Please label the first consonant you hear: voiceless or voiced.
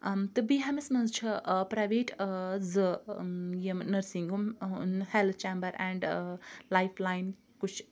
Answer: voiceless